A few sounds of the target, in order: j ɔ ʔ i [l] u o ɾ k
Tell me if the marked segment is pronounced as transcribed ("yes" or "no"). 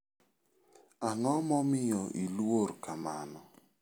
yes